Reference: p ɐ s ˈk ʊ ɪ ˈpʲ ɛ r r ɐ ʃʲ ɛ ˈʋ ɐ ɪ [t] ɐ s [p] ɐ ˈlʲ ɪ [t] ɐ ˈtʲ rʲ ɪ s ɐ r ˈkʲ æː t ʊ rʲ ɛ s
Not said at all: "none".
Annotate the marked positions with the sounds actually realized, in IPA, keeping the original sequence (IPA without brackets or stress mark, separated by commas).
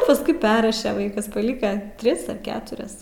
k, p, k